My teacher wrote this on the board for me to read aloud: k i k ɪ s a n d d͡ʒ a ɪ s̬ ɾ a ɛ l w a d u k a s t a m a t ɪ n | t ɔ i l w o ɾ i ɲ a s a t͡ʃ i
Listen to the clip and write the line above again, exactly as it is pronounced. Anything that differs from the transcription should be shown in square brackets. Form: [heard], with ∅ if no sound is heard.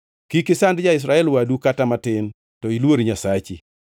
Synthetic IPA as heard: k i k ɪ s a n d d͡ʒ a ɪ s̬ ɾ a ɛ l w a d u k a [∅] t a m a t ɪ n | t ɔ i l w o ɾ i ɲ a s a t͡ʃ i